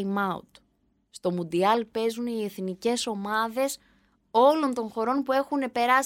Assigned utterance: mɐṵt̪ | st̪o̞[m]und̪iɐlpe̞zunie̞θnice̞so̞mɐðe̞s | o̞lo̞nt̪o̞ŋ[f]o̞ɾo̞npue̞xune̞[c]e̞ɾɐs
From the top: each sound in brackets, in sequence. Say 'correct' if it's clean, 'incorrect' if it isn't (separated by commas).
correct, incorrect, incorrect